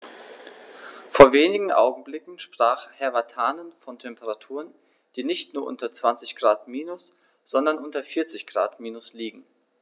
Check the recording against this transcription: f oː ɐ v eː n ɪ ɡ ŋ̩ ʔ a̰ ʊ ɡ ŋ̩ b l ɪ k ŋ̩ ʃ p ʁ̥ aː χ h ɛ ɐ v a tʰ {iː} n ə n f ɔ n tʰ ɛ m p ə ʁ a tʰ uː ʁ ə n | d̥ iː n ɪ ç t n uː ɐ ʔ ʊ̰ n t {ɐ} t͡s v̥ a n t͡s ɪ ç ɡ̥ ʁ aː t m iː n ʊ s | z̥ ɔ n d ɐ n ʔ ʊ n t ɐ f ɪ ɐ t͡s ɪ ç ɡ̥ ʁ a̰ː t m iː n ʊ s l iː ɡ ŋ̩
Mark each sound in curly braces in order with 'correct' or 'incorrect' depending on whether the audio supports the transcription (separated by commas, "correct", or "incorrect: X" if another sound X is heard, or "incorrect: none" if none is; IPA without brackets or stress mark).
incorrect: aː, correct